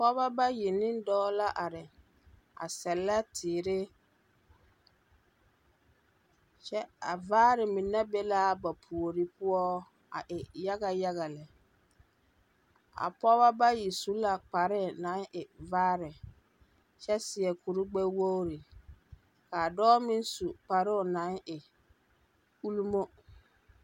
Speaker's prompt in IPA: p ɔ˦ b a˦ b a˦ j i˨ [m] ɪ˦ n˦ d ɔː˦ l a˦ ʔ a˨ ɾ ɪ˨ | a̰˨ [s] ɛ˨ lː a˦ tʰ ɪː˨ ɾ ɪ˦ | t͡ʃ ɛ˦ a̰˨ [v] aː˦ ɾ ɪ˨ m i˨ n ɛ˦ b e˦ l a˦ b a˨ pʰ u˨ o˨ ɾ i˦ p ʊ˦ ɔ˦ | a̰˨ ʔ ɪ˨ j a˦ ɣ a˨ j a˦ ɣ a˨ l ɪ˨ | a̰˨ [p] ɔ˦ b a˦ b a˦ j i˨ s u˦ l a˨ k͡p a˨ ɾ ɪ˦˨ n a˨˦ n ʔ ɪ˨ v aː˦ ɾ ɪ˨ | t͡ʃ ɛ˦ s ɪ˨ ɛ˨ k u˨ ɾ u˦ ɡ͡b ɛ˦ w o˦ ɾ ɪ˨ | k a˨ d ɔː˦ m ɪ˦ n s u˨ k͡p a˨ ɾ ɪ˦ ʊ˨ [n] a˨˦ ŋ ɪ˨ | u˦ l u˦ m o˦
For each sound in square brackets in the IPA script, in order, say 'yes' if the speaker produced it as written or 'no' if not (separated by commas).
no, yes, yes, yes, yes